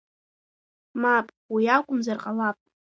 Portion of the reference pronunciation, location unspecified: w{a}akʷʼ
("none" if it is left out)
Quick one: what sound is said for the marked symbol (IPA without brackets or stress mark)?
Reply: i